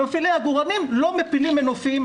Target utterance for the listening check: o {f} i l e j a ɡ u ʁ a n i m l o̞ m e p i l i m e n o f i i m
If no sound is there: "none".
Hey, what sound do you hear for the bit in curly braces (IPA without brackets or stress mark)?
f